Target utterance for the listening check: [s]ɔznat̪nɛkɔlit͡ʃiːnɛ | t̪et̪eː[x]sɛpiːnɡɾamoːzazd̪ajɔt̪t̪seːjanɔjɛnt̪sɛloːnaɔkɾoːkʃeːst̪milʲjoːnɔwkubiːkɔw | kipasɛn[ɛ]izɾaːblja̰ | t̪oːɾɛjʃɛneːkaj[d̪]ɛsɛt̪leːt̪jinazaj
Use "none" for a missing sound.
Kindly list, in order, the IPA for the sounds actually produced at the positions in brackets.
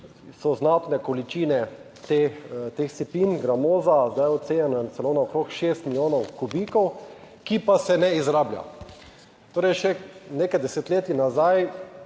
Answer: s, x, ɛ, d̪

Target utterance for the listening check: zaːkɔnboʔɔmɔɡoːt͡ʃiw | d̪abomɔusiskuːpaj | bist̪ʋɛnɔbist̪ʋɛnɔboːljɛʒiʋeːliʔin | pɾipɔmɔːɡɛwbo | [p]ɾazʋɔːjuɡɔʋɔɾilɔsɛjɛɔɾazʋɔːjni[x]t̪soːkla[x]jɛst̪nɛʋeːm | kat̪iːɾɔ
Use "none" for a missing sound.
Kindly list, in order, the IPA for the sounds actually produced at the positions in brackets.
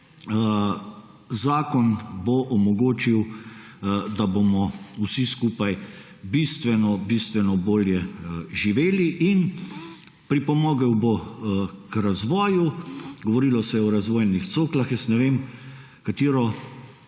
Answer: k, x, x

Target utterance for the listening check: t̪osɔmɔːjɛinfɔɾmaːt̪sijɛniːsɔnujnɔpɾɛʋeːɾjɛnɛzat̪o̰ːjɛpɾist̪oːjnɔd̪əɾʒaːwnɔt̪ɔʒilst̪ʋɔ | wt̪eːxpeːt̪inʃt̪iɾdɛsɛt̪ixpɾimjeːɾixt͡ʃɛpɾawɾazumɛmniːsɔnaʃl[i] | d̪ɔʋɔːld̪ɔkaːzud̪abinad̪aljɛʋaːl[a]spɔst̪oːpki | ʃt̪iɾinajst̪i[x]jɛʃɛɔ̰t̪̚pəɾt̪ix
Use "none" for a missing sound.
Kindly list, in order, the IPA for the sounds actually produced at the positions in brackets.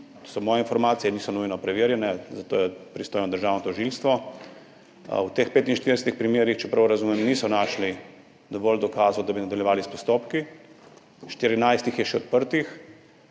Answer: i, i, x

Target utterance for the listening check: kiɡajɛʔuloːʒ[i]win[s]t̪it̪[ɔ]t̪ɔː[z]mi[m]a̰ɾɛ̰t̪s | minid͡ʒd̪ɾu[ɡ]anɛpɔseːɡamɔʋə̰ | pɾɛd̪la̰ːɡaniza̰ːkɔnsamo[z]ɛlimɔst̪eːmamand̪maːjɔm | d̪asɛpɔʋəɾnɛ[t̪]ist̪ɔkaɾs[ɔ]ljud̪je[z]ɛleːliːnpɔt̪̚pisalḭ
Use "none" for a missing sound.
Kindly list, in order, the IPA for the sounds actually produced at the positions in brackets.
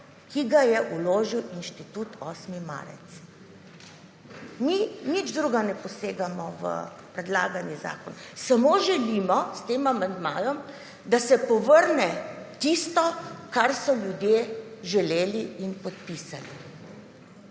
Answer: i, ʃ, u, s, m, ɡ, ʒ, t̪, ɔ, ʒ

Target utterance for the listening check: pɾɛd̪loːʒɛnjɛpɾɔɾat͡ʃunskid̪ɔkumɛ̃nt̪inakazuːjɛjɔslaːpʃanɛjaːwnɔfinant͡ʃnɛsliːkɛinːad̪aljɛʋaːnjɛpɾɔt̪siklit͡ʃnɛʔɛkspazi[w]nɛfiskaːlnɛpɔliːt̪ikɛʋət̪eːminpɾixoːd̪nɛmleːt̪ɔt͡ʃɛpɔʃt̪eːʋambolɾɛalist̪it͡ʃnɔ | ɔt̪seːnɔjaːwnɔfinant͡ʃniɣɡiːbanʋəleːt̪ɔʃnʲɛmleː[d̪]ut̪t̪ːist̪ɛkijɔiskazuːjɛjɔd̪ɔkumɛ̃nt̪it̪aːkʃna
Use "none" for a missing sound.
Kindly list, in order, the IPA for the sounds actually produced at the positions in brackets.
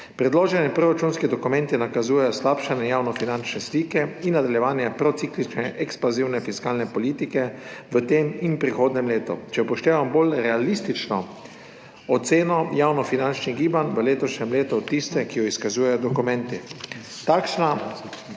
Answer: w, t̪

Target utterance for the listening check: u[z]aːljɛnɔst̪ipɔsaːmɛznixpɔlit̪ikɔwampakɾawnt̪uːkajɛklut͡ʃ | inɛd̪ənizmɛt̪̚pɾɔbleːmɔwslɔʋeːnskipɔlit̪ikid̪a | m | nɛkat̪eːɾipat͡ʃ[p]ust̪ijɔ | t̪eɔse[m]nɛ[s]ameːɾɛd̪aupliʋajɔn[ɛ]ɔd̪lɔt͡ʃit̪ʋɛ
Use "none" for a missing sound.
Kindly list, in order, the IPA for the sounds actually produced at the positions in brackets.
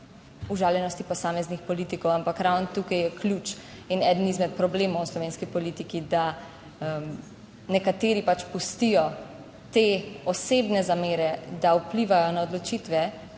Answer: ʒ, p, b, z, a

